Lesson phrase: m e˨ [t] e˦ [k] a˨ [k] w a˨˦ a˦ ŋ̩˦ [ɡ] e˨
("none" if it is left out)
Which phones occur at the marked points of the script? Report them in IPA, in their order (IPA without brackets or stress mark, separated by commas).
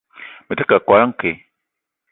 t, k, k, k